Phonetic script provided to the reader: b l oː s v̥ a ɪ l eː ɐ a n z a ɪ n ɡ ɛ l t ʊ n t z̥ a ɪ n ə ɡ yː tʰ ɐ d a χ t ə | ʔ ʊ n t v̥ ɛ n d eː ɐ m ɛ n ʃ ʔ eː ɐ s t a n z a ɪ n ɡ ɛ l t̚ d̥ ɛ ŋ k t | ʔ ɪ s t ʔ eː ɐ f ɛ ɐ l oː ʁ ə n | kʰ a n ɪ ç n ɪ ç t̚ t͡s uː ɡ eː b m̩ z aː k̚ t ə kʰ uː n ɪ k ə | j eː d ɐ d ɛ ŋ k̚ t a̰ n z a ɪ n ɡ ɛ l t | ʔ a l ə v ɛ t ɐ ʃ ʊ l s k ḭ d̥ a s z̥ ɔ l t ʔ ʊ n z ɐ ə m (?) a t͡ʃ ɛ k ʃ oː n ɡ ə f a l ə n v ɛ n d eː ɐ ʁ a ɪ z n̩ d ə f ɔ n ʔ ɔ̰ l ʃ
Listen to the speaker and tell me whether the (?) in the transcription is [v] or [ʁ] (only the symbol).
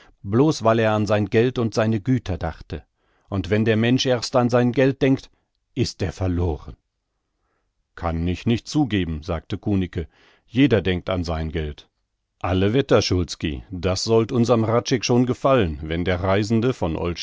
ʁ